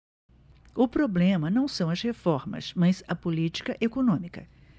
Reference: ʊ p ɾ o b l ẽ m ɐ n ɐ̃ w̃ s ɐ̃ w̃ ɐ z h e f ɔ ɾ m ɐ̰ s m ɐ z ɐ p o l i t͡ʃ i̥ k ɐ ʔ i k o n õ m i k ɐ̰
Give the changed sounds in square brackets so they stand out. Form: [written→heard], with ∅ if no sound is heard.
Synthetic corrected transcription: ʊ p ɾ o b l ẽ m ɐ n ɐ̃ w̃ s ɐ̃ w̃ ɐ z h e f ɔ ɾ m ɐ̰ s m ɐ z ɐ p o l i t͡ʃ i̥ k ɐ ʔ [i→e] k o n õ m i k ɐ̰